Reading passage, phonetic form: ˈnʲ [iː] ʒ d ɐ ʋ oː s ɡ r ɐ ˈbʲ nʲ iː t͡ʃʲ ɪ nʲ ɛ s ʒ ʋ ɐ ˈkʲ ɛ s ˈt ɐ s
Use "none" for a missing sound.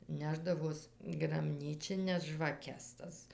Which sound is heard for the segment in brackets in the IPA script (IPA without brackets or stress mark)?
æː